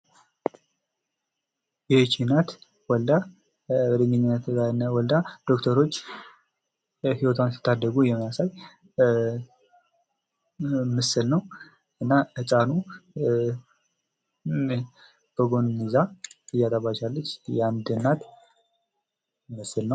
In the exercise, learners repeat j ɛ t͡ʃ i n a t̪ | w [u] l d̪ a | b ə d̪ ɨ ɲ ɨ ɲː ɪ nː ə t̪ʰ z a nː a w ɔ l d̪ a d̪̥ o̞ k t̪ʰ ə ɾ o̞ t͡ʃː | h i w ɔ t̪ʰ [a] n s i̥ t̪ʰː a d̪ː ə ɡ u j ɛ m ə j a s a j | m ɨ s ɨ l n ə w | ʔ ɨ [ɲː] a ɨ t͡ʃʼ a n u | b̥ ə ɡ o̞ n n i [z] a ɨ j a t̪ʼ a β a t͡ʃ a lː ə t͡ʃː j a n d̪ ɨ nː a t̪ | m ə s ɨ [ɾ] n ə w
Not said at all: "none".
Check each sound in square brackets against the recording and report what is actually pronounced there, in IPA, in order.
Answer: ɔ, a, nː, z, l

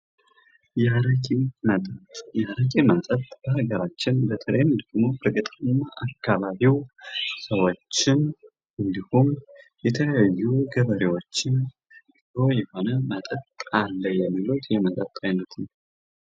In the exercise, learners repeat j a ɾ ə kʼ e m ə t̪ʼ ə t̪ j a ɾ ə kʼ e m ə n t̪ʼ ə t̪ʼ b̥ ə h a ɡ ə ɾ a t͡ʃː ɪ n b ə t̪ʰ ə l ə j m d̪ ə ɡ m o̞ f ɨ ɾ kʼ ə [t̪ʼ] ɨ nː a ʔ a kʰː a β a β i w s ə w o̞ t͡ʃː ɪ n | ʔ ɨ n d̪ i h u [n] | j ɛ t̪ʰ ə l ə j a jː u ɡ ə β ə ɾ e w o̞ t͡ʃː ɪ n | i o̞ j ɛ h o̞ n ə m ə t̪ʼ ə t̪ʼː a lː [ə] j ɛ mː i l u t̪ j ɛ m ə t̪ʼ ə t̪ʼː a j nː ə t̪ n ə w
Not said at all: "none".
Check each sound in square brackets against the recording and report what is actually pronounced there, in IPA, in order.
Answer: t̪ʼ, m, ə

